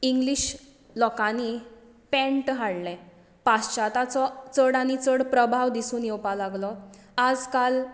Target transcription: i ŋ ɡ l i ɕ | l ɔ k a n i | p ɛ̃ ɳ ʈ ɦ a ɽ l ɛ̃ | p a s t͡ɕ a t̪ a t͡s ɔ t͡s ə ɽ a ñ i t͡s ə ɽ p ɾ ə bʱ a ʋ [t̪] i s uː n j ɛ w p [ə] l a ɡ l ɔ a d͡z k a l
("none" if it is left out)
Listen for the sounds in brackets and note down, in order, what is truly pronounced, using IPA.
d̪, a

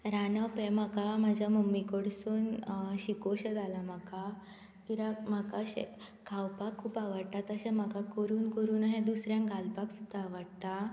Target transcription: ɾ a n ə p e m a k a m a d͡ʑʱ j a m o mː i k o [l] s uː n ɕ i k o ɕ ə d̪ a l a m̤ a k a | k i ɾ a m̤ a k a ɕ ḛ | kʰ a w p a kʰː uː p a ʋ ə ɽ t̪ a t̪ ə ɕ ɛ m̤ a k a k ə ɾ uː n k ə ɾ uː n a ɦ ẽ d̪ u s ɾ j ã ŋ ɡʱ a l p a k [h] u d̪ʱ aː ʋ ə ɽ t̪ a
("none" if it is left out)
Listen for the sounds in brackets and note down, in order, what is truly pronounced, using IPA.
ɽ, s

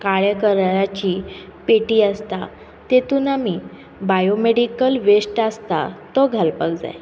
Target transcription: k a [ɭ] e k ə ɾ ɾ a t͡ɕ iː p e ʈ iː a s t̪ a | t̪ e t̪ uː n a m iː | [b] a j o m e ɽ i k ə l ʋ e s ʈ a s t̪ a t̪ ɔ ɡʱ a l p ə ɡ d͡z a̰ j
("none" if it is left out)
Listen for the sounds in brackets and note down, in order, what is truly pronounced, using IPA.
ɭ, b

